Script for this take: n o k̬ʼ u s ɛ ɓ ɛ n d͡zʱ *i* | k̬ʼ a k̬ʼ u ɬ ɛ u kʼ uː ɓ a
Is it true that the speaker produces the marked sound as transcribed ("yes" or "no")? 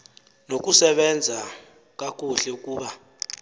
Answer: no